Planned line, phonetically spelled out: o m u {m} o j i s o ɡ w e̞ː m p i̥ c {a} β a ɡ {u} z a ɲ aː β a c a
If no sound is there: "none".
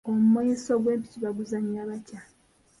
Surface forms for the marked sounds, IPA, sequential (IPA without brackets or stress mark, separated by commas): m, i, u